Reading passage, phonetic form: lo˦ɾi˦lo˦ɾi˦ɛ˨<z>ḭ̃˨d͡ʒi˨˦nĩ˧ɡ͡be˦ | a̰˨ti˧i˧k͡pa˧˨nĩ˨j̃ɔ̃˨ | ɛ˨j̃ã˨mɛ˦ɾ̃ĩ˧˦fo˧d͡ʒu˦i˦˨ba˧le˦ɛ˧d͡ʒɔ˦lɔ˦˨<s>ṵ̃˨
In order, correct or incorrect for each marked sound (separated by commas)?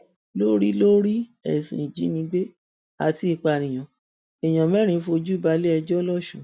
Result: incorrect, incorrect